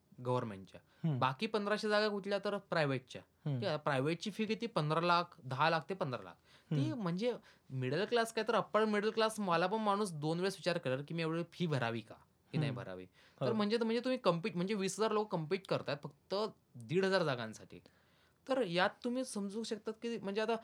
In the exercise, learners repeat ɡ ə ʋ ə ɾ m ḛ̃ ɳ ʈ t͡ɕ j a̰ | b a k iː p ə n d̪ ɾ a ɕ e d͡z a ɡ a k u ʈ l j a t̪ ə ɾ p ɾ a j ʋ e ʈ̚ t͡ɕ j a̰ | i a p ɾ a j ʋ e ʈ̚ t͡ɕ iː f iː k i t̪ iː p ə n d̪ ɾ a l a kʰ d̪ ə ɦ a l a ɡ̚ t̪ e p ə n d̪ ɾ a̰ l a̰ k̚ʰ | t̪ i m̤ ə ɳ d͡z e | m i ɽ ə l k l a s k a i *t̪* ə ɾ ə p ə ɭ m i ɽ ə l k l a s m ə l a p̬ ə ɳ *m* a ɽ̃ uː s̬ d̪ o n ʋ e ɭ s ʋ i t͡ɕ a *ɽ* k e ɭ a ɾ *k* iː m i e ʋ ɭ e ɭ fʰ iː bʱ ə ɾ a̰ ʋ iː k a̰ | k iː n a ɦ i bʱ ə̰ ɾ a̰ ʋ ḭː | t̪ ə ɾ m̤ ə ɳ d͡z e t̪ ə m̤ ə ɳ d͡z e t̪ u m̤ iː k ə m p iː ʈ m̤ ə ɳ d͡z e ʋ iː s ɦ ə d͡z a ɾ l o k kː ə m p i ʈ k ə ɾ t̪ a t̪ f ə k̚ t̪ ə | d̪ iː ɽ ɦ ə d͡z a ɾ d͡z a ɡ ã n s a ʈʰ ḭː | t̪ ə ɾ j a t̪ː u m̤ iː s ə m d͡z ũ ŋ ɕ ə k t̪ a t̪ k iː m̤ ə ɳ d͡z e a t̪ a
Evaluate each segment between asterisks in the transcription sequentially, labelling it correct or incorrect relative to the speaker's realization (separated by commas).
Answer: correct, correct, incorrect, correct